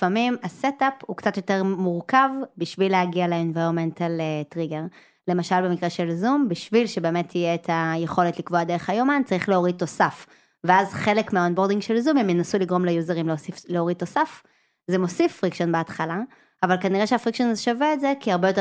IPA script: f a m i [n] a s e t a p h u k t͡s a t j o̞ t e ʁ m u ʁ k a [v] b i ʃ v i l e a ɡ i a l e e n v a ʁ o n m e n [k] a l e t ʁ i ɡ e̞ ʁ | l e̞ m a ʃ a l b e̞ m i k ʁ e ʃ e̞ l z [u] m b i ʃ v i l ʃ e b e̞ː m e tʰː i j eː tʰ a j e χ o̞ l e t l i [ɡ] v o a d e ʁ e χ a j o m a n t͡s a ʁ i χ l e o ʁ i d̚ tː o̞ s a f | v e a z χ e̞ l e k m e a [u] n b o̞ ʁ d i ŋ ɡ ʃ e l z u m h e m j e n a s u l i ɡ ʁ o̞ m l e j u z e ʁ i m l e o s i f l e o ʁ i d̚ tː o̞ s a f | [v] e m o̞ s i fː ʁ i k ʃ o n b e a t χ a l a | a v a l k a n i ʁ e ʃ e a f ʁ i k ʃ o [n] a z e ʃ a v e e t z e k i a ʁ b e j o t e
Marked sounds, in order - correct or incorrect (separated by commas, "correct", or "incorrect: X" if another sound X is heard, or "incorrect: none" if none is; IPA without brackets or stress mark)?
incorrect: m, correct, incorrect: t, correct, incorrect: k, incorrect: o, incorrect: z, correct